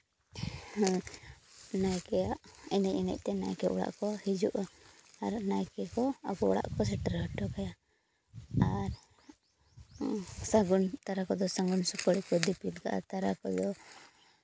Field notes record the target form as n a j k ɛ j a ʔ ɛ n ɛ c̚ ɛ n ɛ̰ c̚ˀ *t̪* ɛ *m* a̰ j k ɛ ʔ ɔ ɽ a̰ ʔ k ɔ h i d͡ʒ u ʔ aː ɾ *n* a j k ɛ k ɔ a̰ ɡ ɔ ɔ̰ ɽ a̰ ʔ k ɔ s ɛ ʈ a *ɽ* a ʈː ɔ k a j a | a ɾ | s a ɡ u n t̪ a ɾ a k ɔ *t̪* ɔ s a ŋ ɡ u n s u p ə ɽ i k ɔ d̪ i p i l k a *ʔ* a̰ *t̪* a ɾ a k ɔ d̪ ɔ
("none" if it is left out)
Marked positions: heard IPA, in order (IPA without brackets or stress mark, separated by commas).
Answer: t̪, n, n, ɾ, d̪, ʔ, t̪